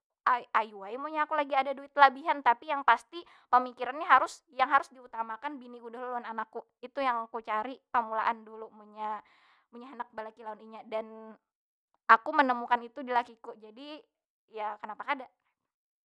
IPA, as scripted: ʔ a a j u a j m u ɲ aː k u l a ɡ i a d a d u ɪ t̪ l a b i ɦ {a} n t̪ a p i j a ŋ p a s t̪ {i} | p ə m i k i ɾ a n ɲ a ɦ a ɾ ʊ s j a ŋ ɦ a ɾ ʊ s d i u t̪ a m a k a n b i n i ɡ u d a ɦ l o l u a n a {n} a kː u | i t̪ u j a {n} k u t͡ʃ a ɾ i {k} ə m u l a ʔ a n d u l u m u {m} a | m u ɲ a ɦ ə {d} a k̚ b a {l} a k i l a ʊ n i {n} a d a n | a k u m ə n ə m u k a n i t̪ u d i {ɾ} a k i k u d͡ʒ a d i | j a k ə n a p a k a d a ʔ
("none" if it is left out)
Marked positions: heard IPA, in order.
a, i, n, ŋ, p, ɲ, n, l, ɲ, l

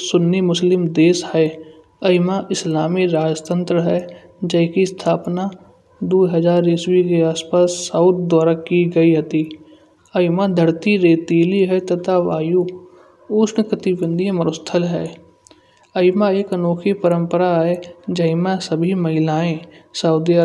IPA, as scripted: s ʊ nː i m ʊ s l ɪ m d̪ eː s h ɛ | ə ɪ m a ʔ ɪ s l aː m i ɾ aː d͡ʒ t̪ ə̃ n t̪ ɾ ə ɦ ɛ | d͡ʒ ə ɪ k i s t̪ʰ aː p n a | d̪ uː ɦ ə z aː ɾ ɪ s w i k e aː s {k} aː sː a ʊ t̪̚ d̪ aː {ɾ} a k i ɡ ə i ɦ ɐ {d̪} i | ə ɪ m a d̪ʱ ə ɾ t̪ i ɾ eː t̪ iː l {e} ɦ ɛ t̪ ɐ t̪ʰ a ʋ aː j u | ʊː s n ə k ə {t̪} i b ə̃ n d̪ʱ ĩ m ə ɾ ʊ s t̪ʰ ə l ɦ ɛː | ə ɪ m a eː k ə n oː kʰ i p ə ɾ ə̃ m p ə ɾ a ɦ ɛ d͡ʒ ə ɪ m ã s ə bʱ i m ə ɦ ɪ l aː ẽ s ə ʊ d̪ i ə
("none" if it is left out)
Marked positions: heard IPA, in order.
p, ɾ, t̪, i, t̪

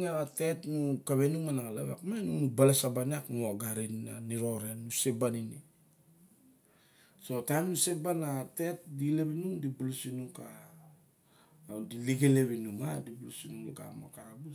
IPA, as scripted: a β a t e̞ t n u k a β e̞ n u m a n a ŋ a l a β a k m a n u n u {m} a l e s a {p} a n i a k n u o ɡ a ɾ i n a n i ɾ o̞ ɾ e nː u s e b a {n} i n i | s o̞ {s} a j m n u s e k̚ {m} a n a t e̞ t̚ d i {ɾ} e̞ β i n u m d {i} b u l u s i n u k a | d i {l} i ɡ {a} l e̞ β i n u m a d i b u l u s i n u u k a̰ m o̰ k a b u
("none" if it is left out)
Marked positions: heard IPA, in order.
b, b, n, t, b, l, i, l, e

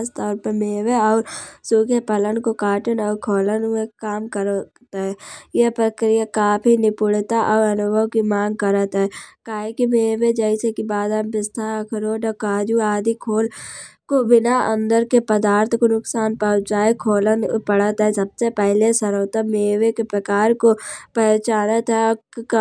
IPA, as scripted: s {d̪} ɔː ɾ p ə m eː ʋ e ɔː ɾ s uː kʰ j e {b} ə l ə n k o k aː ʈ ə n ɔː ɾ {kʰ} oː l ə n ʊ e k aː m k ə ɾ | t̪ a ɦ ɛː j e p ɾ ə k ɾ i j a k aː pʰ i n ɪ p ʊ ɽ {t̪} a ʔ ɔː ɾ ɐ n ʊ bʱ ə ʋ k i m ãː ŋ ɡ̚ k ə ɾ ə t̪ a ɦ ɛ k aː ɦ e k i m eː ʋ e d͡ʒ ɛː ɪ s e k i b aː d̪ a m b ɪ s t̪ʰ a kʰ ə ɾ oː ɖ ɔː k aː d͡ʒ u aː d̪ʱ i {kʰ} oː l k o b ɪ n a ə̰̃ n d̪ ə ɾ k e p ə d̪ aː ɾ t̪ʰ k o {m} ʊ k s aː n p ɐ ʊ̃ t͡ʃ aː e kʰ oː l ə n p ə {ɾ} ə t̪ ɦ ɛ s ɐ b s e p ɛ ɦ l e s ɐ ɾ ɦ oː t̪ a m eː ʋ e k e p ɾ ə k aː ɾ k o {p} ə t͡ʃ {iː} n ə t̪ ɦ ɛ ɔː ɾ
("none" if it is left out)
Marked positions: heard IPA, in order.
t̪, p, kʰ, t̪, kʰ, n, ɽ, p, aː

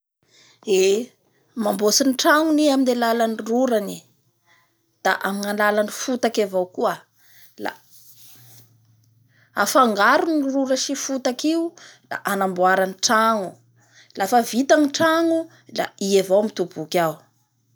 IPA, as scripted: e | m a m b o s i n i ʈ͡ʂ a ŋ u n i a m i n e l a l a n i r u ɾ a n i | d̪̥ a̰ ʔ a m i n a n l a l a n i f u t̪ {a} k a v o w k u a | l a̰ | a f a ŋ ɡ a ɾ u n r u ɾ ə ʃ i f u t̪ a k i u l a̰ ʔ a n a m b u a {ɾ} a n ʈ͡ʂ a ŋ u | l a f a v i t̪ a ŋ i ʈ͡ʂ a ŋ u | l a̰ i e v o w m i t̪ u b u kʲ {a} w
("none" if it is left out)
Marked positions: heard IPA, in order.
a, ɾ, a

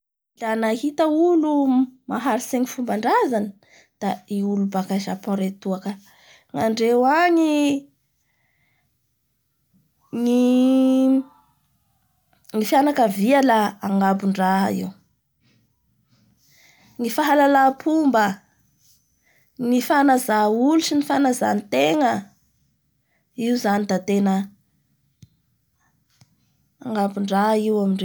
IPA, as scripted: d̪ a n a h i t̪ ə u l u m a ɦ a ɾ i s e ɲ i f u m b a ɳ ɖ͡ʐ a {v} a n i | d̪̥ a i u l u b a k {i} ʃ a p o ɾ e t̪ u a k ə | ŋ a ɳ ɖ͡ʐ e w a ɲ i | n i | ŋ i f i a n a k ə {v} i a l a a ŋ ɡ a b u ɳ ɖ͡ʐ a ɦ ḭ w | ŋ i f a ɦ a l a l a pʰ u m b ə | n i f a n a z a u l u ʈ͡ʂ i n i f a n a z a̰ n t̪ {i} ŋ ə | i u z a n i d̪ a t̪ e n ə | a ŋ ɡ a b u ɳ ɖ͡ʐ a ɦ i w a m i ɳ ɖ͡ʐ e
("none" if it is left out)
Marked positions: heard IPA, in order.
z, a, v, e

